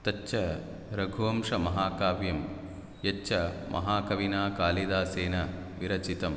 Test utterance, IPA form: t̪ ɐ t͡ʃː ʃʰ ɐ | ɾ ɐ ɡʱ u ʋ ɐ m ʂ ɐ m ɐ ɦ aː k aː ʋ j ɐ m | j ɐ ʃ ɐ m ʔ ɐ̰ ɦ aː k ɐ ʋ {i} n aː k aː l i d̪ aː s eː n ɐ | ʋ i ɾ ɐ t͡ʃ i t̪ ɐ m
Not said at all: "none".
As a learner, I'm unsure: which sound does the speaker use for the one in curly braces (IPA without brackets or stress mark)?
i